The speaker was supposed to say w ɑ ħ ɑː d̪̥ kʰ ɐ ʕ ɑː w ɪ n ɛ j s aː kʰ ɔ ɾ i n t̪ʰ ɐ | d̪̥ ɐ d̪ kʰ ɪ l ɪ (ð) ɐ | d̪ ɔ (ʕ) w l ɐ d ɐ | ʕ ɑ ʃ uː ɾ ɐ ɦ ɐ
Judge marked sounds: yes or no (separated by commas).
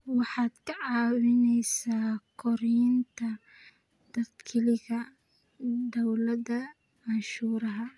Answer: no, no